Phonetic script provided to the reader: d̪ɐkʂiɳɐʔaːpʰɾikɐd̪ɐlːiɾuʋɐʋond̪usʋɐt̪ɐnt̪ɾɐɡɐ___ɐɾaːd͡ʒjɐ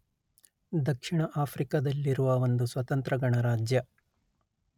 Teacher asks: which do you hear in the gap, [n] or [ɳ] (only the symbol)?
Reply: ɳ